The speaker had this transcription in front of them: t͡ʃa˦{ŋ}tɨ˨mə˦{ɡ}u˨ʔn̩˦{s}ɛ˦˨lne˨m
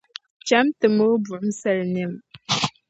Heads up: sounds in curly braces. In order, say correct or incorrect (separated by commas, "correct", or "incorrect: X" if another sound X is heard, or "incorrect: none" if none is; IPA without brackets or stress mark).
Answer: incorrect: m, incorrect: b, correct